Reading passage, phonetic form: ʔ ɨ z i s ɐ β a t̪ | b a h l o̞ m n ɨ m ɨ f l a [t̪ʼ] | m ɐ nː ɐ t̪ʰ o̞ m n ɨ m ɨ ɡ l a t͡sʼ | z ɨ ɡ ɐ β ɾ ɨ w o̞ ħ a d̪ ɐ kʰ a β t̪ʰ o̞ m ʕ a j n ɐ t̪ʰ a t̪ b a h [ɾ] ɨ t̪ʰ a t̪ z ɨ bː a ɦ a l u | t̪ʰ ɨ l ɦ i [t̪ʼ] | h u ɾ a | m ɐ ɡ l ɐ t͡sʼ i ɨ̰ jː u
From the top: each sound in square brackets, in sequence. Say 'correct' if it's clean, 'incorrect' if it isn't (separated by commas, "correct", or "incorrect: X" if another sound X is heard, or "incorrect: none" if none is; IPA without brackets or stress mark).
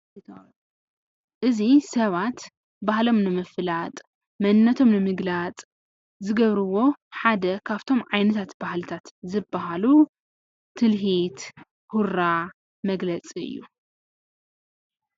correct, incorrect: l, incorrect: t̪